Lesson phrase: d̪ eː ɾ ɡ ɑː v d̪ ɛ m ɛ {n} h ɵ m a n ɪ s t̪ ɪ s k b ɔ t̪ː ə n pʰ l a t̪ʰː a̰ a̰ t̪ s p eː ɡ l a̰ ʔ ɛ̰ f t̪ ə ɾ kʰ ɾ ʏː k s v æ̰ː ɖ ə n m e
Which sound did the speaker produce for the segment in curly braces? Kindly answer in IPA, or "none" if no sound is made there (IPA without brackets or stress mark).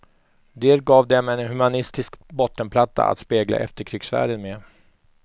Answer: n